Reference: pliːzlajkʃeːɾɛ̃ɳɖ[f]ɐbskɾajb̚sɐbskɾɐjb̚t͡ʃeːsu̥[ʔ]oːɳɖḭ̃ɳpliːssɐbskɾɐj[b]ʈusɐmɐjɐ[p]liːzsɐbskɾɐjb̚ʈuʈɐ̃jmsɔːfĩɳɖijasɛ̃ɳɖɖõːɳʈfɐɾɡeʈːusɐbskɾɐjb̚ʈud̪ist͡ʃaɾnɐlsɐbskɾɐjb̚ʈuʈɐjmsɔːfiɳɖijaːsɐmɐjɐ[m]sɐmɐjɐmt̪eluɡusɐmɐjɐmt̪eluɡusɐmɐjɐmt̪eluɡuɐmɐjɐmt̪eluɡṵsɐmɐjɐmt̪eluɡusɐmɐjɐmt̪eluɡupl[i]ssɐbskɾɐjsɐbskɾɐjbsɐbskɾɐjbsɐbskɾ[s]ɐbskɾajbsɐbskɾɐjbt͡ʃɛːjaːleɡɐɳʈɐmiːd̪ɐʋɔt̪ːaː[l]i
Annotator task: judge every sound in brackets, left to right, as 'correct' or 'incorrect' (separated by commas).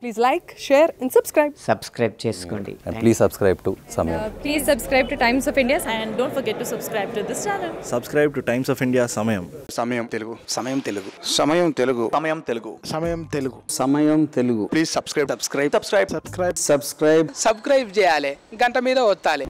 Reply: incorrect, incorrect, correct, correct, correct, incorrect, correct, correct